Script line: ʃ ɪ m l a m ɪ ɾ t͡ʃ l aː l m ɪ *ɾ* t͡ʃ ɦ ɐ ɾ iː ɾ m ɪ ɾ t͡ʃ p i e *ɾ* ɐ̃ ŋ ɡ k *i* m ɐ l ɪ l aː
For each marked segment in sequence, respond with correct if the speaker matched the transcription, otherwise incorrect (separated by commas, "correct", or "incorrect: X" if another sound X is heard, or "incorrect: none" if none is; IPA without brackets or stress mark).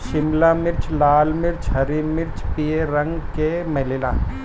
correct, correct, incorrect: e